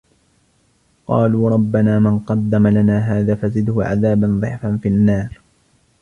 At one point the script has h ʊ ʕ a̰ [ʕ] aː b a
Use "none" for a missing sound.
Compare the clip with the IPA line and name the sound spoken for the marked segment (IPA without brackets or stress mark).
ð